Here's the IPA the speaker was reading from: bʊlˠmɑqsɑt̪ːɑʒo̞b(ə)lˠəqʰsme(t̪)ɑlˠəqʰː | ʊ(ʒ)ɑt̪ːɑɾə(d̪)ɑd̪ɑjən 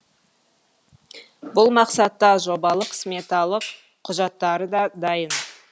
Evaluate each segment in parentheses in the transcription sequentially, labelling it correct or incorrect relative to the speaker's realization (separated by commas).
incorrect, correct, correct, correct